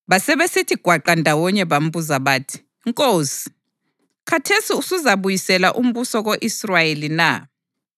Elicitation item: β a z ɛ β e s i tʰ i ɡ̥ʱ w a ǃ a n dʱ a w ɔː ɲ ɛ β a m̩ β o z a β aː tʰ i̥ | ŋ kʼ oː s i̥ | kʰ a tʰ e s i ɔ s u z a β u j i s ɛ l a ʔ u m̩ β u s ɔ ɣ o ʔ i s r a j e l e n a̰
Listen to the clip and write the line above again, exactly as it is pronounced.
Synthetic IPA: β a s ɛ β e s i tʰ i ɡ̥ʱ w a ǃ a n dʱ a w ɔ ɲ ɛ β a m̩ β u z a β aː tʰ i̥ | ŋ kʼ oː s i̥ | kʰ a tʰ e s i u s u z a β u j i s ɛ l a ʔ u m̩ β u s ɔ ɣ o ʔ i s r a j e l i n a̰